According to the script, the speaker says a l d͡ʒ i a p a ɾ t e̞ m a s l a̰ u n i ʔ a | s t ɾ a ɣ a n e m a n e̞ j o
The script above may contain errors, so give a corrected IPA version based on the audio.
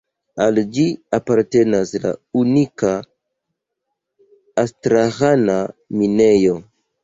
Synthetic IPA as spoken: a l d͡ʒ i a p a ɾ t e̞ n a s l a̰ u n i k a | s t ɾ a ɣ a n a m i n e̞ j o